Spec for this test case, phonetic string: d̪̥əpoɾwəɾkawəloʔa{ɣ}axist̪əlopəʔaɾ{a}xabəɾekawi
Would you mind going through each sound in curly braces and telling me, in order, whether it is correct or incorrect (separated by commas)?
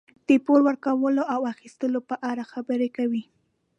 incorrect, correct